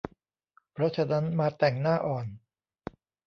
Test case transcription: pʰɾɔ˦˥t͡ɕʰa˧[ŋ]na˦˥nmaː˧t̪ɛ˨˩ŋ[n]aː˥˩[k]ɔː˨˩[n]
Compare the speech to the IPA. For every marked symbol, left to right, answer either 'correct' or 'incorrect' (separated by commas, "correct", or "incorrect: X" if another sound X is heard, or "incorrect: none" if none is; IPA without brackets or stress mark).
incorrect: none, correct, incorrect: ʔ, correct